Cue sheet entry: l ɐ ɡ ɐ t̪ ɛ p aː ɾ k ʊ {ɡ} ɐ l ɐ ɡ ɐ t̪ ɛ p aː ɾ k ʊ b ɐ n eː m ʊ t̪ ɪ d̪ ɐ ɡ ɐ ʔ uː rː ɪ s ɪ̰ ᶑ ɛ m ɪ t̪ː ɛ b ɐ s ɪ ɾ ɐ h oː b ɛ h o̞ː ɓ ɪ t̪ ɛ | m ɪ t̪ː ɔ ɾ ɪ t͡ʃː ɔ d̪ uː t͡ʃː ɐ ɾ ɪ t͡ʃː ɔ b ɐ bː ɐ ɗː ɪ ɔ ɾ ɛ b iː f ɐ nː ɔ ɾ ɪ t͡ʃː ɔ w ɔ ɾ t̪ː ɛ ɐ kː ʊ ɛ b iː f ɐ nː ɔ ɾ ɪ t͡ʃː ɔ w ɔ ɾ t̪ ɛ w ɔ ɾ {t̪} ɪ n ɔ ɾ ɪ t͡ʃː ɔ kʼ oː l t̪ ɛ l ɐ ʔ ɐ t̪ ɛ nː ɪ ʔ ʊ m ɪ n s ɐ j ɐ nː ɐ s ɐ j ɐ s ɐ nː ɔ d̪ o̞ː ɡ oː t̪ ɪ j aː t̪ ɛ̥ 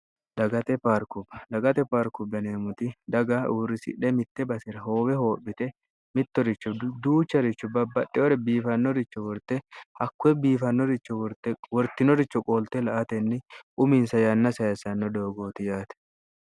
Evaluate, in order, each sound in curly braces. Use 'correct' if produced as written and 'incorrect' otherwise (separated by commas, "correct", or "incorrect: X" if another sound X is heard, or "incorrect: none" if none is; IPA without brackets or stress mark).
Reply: incorrect: b, correct